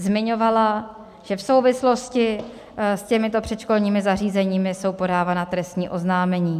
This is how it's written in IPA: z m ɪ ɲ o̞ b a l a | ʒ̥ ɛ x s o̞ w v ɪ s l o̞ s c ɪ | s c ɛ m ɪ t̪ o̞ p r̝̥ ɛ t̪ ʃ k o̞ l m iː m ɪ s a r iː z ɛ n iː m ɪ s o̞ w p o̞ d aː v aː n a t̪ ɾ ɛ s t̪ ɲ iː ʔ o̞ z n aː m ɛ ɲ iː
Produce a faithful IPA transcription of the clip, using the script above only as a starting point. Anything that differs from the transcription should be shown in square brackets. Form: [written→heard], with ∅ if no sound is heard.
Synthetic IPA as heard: z m ɪ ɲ o̞ [b→v] a l a | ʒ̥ ɛ [x→f] s o̞ w v ɪ s l o̞ s c ɪ | s c ɛ m ɪ t̪ o̞ p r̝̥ ɛ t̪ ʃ k o̞ l [m→ɲ] iː m ɪ [s→z] a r iː z ɛ [n→ɲ] iː m ɪ s o̞ w p o̞ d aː v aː n a t̪ ɾ ɛ s t̪ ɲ iː ʔ o̞ z n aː m ɛ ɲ iː